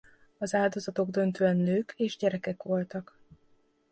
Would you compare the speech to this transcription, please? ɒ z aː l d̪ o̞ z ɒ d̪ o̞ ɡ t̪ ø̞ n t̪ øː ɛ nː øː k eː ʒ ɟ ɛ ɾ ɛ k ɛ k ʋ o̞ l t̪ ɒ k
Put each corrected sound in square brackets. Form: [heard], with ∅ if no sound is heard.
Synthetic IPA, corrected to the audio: ɒ z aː l d̪ o̞ z ɒ [t̪] o̞ ɡ [d̪] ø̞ n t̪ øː ɛ nː øː k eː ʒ ɟ ɛ ɾ ɛ k ɛ k ʋ o̞ l t̪ ɒ k